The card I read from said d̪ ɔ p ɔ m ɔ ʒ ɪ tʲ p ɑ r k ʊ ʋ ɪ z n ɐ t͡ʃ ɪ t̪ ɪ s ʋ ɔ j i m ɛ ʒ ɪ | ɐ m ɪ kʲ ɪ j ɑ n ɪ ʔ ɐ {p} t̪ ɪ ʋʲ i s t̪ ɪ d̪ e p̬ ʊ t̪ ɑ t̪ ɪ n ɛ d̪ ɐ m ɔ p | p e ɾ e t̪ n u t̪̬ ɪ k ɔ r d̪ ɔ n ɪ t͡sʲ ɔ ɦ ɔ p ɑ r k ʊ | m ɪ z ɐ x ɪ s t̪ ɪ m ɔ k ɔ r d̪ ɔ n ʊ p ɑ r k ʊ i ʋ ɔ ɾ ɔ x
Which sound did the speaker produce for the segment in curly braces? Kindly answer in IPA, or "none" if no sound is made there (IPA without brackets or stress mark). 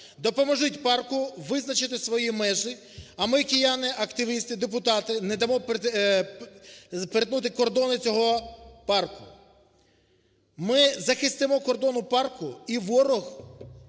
k